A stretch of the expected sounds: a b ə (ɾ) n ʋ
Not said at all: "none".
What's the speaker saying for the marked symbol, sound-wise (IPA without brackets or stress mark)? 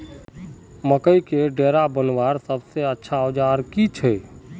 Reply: none